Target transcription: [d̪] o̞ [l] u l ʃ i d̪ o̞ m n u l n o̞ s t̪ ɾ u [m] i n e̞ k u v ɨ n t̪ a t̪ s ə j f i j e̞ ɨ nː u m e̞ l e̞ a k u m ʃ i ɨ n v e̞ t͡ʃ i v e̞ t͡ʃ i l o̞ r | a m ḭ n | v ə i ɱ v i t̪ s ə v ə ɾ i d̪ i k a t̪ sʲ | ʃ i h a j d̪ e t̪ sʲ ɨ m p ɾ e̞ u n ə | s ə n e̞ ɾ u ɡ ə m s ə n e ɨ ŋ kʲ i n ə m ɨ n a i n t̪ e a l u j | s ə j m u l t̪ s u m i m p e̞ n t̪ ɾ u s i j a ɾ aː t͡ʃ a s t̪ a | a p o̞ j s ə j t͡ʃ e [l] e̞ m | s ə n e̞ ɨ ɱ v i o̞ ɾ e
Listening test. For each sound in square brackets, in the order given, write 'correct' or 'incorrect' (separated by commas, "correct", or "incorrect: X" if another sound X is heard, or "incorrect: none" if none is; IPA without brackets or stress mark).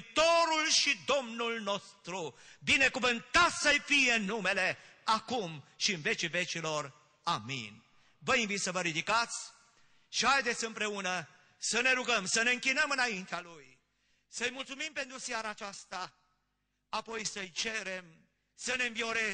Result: incorrect: t̪, incorrect: ɾ, incorrect: b, incorrect: ɾ